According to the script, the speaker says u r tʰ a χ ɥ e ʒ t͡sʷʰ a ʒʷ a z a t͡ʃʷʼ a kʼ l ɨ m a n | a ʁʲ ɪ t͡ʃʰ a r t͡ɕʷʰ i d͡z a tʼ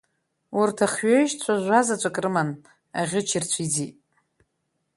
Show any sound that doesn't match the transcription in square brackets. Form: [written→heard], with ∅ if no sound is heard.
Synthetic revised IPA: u r tʰ a χ ɥ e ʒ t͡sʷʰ a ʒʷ a z a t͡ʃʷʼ a kʼ [l→r] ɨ m a n | a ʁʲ ɪ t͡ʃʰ [a→i] r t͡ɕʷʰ i d͡z [a→i] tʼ